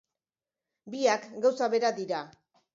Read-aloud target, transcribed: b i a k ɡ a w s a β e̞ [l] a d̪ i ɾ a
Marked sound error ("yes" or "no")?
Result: yes